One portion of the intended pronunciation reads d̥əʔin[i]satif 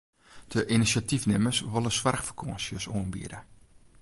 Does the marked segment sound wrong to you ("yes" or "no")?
no